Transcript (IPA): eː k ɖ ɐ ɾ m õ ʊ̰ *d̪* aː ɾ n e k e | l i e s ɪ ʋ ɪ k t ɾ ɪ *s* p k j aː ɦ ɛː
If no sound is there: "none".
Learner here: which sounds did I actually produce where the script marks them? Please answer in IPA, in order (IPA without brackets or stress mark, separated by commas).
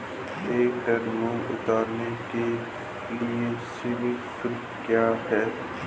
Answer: t̪, none